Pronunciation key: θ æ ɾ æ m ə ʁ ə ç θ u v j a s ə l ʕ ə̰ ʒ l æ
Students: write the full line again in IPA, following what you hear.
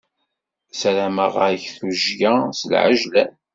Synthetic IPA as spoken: s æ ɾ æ m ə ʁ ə ç θ u ʒ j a s ə l ʕ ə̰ ʒ l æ